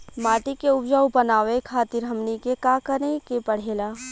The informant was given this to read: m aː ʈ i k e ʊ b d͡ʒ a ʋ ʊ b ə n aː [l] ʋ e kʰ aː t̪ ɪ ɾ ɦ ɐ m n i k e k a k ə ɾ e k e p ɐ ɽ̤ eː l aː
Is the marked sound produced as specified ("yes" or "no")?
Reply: no